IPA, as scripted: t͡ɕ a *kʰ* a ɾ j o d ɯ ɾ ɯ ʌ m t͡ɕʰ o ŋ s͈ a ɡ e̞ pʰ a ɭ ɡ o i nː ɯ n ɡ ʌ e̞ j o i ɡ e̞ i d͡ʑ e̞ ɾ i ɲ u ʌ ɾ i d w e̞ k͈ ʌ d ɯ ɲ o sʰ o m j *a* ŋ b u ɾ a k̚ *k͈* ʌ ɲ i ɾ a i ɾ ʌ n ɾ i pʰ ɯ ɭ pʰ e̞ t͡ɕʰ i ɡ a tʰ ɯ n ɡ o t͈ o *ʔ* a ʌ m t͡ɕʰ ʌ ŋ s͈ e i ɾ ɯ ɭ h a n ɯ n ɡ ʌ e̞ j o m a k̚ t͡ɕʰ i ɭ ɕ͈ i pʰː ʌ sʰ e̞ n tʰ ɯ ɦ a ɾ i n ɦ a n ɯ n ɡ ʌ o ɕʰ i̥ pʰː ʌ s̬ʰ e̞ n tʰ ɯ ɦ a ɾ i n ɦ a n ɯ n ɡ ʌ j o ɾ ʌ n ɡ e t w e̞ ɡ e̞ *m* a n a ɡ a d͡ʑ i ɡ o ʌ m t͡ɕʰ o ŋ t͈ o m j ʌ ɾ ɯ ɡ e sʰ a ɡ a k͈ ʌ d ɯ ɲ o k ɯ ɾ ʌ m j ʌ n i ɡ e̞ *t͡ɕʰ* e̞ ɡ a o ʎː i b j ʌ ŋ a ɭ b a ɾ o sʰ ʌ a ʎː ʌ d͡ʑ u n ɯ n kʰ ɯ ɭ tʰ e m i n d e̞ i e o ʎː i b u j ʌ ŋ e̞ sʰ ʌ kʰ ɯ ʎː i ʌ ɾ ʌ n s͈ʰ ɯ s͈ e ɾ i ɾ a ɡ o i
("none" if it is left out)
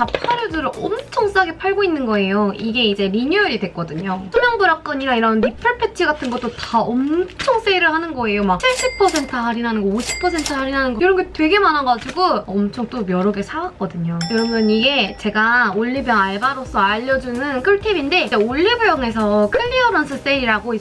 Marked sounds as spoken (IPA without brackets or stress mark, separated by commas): pʰ, ʌ, k͈, t, m, t͡ɕ